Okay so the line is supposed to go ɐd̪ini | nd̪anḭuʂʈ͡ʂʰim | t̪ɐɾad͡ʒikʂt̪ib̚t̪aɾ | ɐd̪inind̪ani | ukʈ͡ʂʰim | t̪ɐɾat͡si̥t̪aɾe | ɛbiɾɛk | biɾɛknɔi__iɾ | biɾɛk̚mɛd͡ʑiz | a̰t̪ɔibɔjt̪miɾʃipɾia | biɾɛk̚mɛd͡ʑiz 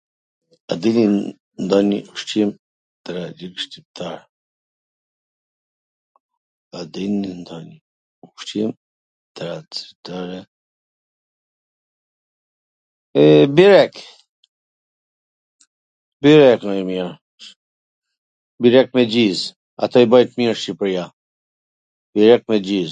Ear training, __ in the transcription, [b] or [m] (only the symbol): m